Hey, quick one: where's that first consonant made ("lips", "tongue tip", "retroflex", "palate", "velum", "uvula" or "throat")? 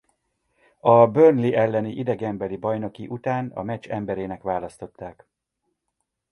lips